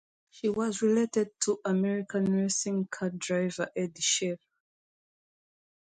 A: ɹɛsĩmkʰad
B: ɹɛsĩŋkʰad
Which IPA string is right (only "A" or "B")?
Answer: B